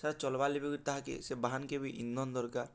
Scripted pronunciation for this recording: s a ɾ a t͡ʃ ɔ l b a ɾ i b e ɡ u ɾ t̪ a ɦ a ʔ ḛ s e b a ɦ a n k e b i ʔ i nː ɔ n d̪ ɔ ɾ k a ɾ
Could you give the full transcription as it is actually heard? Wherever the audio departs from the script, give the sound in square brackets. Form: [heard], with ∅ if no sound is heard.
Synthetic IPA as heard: s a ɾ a t͡ʃ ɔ l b a [l] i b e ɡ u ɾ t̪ a ɦ a [k] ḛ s e b a ɦ a n k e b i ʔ i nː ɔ n d̪ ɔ ɾ k a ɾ

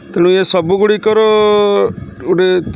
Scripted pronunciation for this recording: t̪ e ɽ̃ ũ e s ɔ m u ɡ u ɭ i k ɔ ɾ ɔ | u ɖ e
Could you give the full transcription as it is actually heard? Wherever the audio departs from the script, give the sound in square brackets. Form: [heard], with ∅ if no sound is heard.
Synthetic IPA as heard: t̪ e ɽ̃ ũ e s ɔ [b] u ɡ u [ɽ] i k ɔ ɾ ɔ | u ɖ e

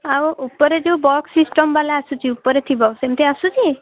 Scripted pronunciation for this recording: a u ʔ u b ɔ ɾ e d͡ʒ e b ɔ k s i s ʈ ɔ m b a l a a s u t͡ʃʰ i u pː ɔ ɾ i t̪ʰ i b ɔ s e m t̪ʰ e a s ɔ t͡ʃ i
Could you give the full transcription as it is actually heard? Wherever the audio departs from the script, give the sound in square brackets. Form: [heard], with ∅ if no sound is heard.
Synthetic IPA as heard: a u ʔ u [p] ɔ ɾ e d͡ʒ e b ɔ k s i s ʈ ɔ m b a l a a s u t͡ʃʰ i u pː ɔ ɾ [e] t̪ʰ i b ɔ s e m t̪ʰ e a s [u] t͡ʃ i

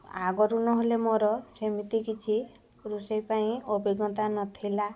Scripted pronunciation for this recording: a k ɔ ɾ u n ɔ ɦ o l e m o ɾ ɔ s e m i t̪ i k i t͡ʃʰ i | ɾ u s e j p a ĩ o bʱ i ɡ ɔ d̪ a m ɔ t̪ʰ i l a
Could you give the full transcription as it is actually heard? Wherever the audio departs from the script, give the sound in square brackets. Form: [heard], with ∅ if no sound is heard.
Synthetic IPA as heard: a [ɡ] ɔ ɾ u n ɔ ɦ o l e m o ɾ ɔ s e m i t̪ i k i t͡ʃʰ i | ɾ u s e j p a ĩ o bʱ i ɡ ɔ [t̪] a [n] ɔ t̪ʰ i l a

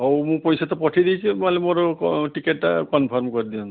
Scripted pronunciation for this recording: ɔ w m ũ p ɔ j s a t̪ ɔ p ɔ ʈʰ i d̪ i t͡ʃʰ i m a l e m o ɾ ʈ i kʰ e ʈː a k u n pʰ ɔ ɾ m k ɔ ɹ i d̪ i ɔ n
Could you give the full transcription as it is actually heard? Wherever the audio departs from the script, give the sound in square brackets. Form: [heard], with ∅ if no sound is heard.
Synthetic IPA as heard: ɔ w m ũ p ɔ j s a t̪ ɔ p ɔ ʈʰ i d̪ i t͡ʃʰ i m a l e m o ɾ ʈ i [k] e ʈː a k [ɔ] n pʰ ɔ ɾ m k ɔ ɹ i d̪ i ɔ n

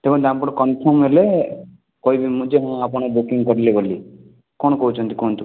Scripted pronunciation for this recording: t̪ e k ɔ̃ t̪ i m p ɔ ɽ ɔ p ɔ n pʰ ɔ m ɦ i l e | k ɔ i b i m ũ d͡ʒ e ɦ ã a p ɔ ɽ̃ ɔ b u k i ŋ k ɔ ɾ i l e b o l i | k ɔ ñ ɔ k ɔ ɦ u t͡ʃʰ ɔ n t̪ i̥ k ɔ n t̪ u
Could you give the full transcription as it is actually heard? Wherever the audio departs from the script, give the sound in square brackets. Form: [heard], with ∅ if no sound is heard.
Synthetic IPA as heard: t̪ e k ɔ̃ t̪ [a] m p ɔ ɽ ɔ [k] ɔ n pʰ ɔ m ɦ [e] l e | k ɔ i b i m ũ d͡ʒ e ɦ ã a p ɔ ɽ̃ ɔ b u k i ŋ k ɔ ɾ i l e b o l i | k ɔ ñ ɔ k ɔ ɦ u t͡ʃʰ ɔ n t̪ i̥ k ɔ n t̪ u

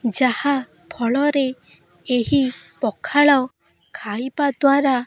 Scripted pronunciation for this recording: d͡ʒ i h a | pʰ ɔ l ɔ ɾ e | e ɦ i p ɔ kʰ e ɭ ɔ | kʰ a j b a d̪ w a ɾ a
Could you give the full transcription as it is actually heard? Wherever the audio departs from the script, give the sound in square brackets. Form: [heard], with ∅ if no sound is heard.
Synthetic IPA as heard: d͡ʒ [a] h a | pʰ ɔ [ɭ] ɔ ɾ e | e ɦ i p ɔ kʰ [a] ɭ ɔ | kʰ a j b a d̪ w a ɾ a

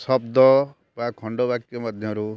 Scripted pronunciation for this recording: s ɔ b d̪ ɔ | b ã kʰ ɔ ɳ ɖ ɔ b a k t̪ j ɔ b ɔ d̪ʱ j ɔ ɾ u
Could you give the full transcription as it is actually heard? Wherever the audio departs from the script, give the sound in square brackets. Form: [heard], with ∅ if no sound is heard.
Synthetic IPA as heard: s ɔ b d̪ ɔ | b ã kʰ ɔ ɳ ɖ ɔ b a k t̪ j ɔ [m] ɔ d̪ʱ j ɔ ɾ u

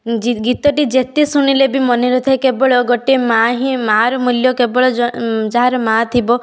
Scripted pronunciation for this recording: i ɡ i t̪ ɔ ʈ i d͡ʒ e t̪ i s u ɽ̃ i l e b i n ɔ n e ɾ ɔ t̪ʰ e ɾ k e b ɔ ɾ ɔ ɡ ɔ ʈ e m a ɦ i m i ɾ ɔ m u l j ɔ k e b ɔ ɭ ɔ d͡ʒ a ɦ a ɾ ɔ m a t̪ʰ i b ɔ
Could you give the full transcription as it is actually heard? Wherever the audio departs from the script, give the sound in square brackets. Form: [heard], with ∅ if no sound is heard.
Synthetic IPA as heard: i ɡ i t̪ ɔ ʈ i d͡ʒ e t̪ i s u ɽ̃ i l e b i [m] ɔ n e ɾ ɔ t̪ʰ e [∅] k e b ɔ [ɭ] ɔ ɡ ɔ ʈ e m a ɦ i m [a] ɾ ɔ m u l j ɔ k e b ɔ ɭ ɔ d͡ʒ a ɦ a ɾ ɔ m a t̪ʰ i b ɔ

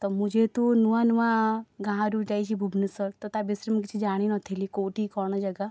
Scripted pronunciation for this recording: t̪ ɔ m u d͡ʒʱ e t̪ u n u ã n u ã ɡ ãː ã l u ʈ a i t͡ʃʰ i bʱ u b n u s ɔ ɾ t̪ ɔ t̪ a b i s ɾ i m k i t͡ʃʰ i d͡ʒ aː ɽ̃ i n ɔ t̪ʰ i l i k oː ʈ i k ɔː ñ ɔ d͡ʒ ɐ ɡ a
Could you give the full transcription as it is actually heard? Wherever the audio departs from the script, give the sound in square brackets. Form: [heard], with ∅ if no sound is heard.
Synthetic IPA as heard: t̪ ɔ m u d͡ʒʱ e t̪ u n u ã n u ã ɡ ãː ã [ɾ] u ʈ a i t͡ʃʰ i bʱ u b n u s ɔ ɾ t̪ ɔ t̪ a b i s ɾ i m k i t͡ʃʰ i d͡ʒ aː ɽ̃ i n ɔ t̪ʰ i l i k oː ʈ i k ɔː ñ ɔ d͡ʒ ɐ ɡ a

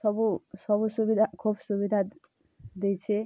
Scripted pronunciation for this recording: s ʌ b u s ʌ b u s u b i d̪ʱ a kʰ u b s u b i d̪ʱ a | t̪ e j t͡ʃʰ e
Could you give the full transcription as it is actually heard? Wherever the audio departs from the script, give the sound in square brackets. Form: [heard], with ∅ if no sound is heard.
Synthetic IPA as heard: s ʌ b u s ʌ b u s u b i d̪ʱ a kʰ u b s u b i d̪ʱ a | [d̪] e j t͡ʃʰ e

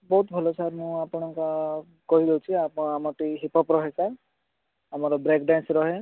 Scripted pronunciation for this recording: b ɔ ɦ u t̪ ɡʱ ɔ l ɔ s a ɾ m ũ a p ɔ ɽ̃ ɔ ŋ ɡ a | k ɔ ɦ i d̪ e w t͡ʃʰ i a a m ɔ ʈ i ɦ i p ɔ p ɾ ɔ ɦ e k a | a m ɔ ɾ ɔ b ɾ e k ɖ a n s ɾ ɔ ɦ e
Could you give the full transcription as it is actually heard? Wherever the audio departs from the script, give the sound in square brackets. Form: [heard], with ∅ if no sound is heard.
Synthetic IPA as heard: b ɔ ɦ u t̪ [bʱ] ɔ l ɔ s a ɾ m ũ a p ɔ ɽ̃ ɔ ŋ [k] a | k ɔ ɦ i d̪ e w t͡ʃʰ i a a m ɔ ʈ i ɦ i p ɔ p ɾ ɔ ɦ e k a | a m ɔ ɾ ɔ b ɾ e k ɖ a n s ɾ ɔ ɦ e

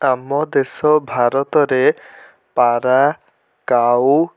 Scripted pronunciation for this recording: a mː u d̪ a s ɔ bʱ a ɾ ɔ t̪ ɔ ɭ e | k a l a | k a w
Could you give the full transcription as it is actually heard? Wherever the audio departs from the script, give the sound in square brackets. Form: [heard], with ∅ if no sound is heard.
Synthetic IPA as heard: a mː [ɔ] d̪ [e] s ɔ bʱ a ɾ ɔ t̪ ɔ [ɾ] e | [p] a [ɾ] a | k a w

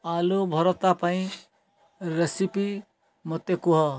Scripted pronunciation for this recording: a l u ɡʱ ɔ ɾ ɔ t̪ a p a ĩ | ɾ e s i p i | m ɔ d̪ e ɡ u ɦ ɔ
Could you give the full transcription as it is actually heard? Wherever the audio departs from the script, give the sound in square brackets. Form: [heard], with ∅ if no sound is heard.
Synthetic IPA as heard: a l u [bʱ] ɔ ɾ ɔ t̪ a p a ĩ | ɾ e s i p i | m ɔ [t̪] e [k] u ɦ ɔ

